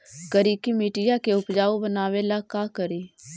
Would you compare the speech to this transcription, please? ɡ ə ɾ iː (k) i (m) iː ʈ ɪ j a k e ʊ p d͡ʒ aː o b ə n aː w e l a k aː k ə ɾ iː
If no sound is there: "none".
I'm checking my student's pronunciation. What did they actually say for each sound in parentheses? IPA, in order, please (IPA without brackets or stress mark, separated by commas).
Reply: k, m